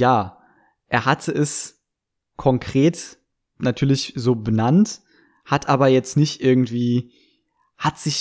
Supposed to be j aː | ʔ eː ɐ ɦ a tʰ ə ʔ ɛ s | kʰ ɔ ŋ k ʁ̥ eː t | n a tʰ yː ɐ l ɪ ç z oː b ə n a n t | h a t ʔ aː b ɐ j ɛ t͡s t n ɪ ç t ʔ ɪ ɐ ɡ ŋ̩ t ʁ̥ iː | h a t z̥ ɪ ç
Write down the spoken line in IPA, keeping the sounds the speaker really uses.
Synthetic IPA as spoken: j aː | ʔ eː ɐ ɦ a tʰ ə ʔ ɛ s | kʰ ɔ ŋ k ʁ̥ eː t | n a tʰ yː ɐ l ɪ ç z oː b ə n a n t | h a t ʔ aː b ɐ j ɛ t͡s t n ɪ ç t ʔ ɪ ɐ ɡ ŋ̩ t v̥ iː | h a t z̥ ɪ ç